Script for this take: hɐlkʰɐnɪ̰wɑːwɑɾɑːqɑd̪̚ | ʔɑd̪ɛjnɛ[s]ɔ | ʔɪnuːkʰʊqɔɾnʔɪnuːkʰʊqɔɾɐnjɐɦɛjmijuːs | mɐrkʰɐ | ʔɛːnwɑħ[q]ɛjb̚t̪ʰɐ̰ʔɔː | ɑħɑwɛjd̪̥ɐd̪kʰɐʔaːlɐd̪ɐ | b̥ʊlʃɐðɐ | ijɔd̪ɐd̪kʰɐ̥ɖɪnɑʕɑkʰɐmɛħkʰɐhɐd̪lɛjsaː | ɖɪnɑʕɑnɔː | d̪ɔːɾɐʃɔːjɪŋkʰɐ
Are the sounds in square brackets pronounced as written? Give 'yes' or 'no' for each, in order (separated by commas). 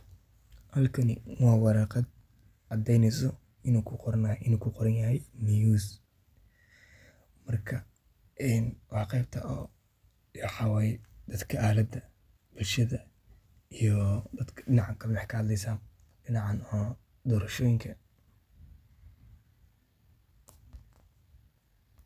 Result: yes, yes